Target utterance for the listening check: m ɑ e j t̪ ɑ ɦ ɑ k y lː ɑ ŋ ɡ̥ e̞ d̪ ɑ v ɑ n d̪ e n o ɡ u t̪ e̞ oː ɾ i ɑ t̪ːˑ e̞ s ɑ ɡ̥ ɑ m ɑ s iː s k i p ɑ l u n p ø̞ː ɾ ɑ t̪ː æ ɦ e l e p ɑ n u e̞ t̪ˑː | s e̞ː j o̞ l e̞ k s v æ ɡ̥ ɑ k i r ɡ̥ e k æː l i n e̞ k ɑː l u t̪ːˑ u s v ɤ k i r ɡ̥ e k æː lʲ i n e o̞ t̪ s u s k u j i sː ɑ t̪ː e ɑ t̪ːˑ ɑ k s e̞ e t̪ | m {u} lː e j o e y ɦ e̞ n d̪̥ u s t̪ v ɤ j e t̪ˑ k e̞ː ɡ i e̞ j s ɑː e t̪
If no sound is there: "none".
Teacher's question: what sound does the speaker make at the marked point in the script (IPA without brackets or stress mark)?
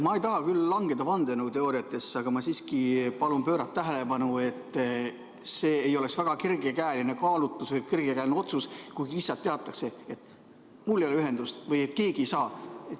u